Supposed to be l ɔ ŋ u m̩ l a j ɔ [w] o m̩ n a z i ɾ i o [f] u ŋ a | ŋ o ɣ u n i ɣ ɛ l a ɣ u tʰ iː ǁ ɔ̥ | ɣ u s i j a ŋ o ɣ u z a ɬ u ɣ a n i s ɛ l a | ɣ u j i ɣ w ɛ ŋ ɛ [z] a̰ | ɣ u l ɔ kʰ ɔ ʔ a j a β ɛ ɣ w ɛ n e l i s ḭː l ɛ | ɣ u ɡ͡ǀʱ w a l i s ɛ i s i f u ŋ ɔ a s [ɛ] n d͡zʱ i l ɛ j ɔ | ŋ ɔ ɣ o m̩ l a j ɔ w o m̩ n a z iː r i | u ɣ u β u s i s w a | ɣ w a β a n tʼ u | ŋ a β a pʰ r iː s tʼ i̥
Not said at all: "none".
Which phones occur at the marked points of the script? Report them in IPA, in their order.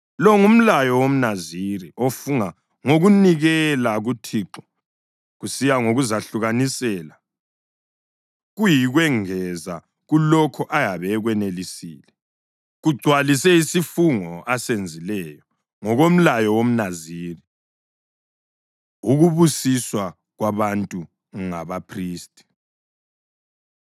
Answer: w, f, z, e

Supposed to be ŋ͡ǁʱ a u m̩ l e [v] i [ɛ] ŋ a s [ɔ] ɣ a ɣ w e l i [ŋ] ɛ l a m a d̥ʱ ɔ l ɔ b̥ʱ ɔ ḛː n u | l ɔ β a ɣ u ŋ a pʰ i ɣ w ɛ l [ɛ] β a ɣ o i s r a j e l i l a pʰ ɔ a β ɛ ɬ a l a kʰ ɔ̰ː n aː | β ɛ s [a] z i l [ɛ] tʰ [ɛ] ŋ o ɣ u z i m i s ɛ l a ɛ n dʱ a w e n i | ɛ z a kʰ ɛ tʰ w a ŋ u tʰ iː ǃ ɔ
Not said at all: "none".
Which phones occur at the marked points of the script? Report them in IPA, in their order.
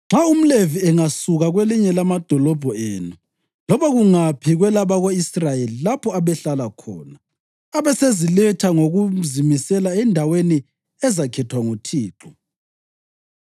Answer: v, ɛ, u, ɲ, a, e, ɛ, a

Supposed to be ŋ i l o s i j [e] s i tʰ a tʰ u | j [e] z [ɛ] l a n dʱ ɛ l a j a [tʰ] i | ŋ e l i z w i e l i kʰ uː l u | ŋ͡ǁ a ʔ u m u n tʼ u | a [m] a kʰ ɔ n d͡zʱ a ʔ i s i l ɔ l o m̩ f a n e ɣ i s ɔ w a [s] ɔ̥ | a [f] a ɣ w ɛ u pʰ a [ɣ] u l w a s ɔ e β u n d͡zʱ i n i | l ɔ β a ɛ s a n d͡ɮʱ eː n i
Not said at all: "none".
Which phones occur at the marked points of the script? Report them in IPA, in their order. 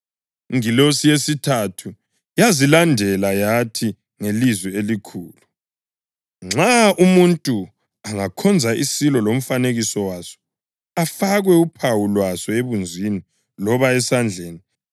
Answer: e, a, i, tʰ, ŋ, s, f, w

